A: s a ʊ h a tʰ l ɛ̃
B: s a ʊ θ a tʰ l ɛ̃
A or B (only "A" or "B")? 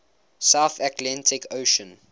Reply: B